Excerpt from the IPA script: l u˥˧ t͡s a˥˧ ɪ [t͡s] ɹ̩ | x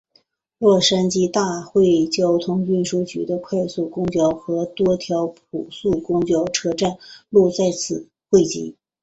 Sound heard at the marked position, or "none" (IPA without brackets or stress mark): t͡sʰ